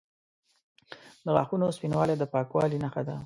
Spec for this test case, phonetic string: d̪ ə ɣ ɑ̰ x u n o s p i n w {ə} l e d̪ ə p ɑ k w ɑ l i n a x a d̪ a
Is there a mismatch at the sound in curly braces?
yes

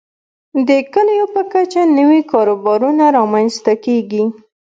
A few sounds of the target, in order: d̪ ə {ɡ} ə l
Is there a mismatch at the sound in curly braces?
yes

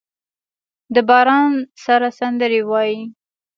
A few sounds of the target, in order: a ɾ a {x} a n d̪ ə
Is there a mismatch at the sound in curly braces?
yes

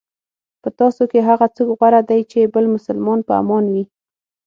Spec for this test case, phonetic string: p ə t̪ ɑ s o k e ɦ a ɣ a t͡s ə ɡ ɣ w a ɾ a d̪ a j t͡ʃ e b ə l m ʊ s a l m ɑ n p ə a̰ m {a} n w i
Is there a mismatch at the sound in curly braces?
yes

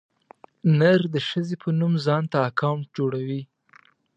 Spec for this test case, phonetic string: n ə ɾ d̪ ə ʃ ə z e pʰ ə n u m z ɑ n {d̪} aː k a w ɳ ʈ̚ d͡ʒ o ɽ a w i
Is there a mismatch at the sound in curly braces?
yes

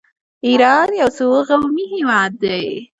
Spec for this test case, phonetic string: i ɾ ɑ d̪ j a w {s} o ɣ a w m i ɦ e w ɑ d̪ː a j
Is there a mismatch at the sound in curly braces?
no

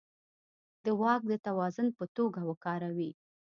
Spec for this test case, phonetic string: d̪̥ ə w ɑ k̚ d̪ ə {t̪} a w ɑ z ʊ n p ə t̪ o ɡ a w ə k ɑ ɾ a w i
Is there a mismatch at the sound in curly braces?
no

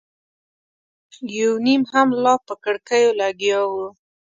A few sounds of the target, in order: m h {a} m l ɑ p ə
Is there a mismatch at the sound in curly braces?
no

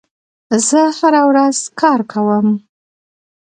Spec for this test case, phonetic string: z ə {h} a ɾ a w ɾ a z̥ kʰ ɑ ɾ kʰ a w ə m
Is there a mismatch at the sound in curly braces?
no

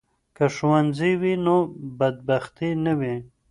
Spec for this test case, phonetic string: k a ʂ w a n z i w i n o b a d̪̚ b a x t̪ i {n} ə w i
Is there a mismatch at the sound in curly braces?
no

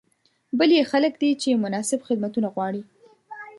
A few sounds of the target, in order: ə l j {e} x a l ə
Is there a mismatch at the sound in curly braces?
no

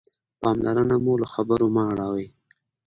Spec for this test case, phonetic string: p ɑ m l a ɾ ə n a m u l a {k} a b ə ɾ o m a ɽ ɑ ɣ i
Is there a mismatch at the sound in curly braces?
yes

